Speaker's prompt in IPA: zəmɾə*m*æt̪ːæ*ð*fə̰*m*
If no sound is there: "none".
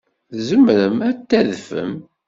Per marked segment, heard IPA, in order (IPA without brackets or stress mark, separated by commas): m, ð, m